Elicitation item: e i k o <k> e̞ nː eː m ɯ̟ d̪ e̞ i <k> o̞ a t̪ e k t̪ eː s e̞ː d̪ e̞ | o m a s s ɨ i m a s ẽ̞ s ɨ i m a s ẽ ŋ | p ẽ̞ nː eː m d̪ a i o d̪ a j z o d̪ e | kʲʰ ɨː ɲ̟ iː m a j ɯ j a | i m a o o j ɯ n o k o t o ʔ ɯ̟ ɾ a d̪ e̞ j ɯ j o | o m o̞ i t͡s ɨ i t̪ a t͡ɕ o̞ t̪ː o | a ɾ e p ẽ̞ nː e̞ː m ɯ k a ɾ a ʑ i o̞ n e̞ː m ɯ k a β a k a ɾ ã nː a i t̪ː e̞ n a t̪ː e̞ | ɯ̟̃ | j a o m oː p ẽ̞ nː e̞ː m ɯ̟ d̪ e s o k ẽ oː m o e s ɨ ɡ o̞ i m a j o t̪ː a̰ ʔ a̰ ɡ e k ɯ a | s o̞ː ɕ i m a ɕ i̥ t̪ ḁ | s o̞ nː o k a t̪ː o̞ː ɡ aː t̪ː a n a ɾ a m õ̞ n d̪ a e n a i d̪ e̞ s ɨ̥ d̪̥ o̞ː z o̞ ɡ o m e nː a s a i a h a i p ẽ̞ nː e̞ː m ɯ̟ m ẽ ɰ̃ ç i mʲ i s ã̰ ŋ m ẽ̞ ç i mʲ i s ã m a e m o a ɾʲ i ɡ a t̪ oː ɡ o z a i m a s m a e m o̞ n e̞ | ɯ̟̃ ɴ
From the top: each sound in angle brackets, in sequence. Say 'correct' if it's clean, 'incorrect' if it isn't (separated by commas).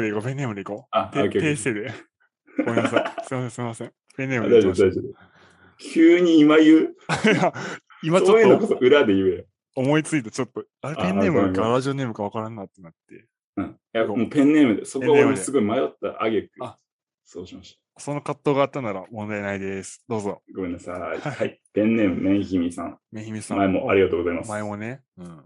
incorrect, correct